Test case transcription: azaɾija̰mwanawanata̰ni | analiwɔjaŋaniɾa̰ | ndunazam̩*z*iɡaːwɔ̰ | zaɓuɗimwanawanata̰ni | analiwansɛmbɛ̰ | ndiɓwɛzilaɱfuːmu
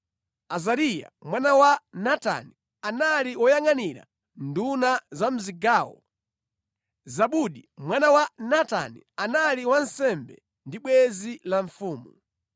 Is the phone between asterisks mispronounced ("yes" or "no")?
no